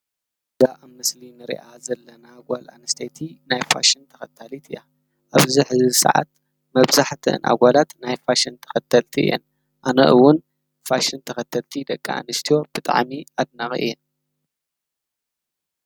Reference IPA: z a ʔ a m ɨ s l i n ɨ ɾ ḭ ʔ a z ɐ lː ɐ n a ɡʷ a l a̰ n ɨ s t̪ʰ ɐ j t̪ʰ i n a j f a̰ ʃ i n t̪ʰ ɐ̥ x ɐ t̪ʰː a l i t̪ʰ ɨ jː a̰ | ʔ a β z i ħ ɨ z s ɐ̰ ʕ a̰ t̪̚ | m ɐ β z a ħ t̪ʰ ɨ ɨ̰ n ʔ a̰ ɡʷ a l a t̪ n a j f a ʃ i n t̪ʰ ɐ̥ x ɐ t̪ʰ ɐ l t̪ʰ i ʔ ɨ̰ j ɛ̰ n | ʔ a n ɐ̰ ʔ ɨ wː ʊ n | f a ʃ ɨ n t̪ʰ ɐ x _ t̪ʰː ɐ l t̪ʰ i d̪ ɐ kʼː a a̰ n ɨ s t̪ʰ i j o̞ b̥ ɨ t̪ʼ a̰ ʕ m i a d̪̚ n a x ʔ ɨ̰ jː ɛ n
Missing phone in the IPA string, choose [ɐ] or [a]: ɐ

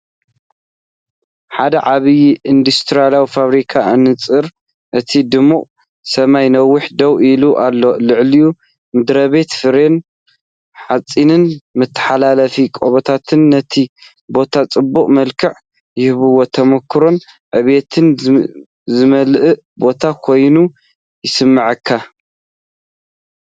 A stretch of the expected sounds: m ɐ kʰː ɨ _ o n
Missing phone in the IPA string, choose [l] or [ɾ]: ɾ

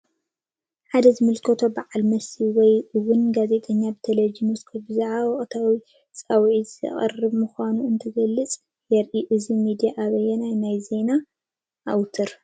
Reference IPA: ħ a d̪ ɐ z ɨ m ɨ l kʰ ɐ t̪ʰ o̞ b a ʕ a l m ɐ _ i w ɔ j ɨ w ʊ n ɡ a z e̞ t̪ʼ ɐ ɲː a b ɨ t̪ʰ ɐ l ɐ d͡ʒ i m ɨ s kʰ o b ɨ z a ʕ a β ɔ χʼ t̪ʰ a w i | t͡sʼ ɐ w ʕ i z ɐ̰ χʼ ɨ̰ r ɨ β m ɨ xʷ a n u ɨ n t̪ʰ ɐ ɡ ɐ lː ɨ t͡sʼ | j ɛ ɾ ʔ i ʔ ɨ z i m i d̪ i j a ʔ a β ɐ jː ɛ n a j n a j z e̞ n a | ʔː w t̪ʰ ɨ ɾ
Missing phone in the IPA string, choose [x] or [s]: s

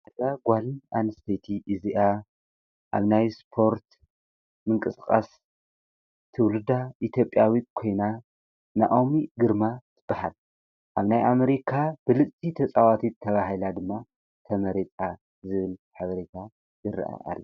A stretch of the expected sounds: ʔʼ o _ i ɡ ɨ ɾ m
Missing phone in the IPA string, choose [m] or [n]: m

